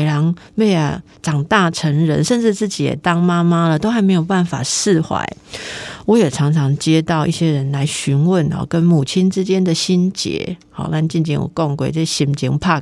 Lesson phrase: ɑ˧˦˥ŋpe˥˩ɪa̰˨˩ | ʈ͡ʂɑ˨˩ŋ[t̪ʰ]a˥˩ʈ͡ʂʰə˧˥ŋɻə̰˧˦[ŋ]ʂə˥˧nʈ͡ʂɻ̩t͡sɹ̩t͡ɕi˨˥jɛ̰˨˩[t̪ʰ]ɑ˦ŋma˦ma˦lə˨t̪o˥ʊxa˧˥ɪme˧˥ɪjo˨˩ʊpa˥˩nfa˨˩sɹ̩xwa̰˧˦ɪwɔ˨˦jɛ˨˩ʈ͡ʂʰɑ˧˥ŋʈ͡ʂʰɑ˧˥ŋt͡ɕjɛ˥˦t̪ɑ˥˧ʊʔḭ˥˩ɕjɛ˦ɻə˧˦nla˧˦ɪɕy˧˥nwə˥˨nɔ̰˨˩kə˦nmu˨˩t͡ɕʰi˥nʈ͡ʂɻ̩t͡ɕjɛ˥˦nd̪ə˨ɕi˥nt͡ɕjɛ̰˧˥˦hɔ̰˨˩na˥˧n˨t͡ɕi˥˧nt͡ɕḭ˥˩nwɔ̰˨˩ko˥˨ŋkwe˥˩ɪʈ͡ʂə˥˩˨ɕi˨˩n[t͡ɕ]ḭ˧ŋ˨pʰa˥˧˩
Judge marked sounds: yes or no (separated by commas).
no, no, no, yes